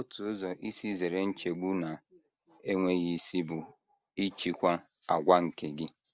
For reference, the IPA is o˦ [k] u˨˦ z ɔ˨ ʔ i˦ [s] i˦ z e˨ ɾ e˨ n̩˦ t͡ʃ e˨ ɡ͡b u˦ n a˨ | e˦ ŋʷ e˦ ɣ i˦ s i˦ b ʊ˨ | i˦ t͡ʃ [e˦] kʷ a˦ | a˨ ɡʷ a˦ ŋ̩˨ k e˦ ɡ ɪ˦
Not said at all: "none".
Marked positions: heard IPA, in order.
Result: t, s, i˦

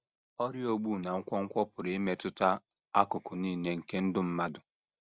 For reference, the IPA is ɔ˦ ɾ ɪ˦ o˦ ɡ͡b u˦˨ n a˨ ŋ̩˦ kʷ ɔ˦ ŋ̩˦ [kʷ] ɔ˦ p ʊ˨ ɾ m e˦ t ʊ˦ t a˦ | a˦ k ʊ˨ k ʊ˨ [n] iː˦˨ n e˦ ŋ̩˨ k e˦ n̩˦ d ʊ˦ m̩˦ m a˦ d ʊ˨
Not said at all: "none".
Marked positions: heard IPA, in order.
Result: kʷ, n

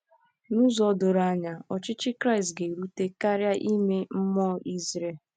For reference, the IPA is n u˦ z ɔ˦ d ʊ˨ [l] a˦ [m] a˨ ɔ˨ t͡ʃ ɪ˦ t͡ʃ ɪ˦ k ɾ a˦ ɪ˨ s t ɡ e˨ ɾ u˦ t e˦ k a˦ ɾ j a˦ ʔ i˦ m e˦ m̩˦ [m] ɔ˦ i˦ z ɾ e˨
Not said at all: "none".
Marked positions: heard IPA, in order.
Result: ɾ, ɲ, m

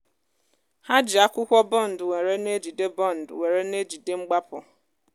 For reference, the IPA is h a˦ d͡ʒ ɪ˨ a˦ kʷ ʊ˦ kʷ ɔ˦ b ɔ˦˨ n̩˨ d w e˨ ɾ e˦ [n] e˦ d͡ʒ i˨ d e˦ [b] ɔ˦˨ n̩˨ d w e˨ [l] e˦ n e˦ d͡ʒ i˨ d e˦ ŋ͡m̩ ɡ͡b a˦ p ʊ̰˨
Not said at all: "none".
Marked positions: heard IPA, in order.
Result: n, b, ɾ

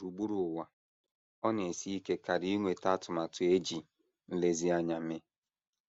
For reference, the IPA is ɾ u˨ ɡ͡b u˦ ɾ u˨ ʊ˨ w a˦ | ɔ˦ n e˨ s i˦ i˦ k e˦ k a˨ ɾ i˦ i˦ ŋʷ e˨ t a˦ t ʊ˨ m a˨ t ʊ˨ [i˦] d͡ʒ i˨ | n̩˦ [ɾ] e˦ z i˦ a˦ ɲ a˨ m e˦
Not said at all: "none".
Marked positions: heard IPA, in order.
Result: e˦, l

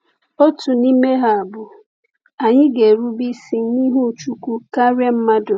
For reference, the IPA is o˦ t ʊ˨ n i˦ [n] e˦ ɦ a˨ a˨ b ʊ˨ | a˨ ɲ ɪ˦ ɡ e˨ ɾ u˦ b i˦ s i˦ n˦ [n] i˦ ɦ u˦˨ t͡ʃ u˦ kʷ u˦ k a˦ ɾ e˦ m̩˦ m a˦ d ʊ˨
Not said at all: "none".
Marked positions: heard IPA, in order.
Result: m, n

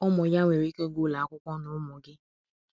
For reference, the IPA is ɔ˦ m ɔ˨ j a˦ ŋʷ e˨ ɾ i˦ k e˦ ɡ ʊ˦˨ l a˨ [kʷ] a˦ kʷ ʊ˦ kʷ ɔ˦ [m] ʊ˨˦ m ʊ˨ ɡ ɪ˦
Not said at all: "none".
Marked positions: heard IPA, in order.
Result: none, n

